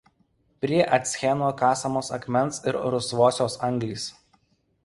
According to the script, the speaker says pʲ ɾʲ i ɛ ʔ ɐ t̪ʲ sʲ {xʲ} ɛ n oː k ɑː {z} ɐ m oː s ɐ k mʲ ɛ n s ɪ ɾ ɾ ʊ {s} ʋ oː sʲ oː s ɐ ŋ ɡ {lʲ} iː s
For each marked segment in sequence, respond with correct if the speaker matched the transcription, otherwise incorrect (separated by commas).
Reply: correct, incorrect, correct, correct